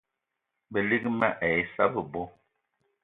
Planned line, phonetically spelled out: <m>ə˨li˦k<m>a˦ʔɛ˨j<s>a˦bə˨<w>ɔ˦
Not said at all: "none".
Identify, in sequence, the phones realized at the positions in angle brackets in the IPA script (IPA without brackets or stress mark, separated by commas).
b, m, s, b